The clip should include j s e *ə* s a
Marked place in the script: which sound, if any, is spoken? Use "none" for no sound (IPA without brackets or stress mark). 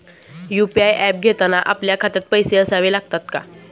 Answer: ə